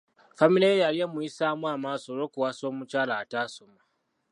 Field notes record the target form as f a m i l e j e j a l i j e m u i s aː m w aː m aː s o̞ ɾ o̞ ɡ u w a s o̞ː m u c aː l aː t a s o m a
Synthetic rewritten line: f a m i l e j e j a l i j e m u i s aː m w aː m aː s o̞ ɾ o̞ k u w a s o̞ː m u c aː l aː t a s o m a